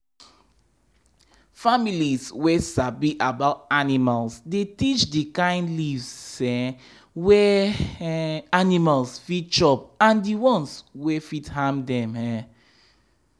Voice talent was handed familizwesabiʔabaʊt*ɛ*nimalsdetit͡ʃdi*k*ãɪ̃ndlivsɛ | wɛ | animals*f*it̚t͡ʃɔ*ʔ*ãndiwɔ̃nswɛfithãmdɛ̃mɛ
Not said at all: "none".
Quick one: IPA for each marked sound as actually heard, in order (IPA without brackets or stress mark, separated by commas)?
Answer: a, k, f, p